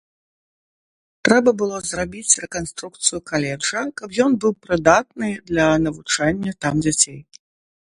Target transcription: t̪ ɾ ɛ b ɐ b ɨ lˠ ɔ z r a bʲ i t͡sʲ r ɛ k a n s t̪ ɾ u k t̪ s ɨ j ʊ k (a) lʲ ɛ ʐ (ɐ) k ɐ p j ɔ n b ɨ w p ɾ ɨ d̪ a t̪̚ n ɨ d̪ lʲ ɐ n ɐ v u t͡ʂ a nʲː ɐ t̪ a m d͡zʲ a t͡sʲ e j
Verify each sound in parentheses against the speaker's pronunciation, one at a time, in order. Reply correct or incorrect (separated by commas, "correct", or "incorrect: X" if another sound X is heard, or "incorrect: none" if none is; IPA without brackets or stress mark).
correct, correct